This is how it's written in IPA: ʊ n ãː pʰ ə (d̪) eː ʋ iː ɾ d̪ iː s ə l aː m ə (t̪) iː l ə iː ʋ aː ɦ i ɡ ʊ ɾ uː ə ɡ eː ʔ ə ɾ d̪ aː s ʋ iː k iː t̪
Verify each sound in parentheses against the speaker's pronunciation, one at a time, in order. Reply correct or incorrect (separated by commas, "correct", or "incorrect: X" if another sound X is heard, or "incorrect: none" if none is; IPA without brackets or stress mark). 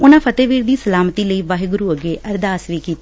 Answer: incorrect: t̪, correct